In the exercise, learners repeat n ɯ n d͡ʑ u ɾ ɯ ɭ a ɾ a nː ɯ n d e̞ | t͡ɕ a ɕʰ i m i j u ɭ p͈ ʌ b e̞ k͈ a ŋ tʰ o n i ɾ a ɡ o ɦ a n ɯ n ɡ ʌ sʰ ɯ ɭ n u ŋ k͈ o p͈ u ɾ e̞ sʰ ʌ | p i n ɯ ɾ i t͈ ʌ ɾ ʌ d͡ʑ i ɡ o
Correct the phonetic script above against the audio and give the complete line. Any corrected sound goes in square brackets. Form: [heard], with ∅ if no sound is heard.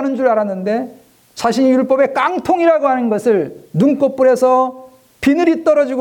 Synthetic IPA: n ɯ n d͡ʑ u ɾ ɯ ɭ a ɾ a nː ɯ n d e̞ | t͡ɕ a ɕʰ i [ɲ] i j u ɭ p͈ ʌ b e̞ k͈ a ŋ tʰ o [ŋ] i ɾ a ɡ o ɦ a n ɯ n ɡ ʌ sʰ ɯ ɭ n u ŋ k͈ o p͈ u ɾ e̞ sʰ ʌ | p i n ɯ ɾ i t͈ ʌ ɾ ʌ d͡ʑ i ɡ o